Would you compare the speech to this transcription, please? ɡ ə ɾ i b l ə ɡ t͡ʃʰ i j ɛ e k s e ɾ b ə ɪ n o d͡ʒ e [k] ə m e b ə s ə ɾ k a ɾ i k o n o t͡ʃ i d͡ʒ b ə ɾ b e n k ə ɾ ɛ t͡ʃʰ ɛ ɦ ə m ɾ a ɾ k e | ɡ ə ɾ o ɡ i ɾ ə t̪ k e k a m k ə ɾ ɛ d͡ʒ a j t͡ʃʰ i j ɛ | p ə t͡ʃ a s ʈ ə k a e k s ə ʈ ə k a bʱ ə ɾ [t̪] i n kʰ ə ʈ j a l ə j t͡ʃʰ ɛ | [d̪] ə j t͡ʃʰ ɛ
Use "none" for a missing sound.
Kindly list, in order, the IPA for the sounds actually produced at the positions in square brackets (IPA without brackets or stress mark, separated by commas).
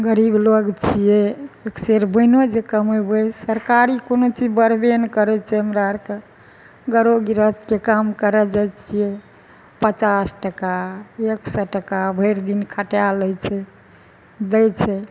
k, d̪, d̪